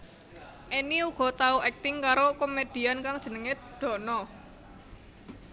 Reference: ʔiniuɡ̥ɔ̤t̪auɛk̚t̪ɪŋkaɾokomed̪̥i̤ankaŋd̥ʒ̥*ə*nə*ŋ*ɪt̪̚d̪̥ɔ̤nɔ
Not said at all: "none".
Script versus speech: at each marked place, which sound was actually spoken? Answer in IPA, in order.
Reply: ə, ŋ

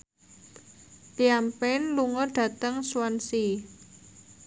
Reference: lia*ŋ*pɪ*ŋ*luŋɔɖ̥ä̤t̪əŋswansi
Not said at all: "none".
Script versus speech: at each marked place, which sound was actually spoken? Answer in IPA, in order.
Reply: m, n

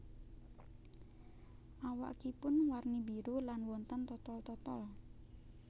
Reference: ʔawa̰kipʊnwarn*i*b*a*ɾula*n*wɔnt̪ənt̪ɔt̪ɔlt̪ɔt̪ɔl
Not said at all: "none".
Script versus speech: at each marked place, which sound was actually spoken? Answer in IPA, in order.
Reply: i, i, n

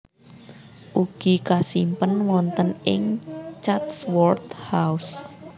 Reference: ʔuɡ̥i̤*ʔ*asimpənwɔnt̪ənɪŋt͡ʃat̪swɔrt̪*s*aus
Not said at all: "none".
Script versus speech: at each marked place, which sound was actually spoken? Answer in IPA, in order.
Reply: k, h

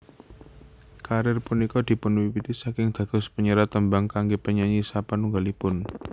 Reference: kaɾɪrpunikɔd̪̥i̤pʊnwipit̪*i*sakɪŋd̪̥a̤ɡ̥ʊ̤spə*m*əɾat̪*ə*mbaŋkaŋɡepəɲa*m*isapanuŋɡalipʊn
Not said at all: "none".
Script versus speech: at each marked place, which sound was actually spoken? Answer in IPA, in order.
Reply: i, ɲ, ə, ɲ

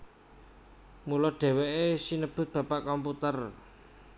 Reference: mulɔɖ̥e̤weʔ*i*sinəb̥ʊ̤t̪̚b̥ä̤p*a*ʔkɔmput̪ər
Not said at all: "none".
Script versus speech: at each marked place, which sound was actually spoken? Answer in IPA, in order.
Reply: e, a

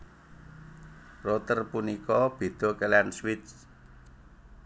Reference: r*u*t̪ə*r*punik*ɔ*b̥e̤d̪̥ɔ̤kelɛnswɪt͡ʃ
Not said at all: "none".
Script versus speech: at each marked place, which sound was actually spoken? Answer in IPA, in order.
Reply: o, r, ɔ

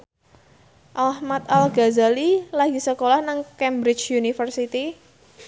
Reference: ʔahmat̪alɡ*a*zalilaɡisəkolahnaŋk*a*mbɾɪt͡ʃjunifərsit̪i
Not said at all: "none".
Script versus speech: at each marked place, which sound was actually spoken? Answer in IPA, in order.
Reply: a, ɛ

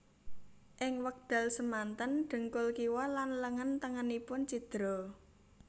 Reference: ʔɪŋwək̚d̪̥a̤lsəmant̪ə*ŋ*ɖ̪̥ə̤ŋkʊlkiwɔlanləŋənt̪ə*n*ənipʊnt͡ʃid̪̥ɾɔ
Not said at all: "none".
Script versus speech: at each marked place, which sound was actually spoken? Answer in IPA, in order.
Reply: n, ŋ

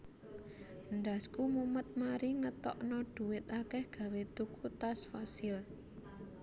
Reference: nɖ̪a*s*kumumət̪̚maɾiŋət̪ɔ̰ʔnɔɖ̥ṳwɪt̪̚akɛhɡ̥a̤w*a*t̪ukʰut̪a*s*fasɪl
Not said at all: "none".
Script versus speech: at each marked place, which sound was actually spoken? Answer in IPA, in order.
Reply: s, e, s

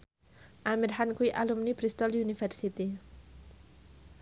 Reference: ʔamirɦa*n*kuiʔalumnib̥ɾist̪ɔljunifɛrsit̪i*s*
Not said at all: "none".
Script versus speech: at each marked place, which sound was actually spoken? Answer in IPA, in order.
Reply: n, none

